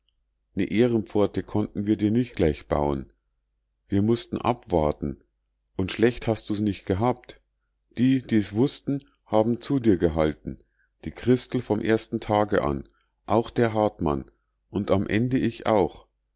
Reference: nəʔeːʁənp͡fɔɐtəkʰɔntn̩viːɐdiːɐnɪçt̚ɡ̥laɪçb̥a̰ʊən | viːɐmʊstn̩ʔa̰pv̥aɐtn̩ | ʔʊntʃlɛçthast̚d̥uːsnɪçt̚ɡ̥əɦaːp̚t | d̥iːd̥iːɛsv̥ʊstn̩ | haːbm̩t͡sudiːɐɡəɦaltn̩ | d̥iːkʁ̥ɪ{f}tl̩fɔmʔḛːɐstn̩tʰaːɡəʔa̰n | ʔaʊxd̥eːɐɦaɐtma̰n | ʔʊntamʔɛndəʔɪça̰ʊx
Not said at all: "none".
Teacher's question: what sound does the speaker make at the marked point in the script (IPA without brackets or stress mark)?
s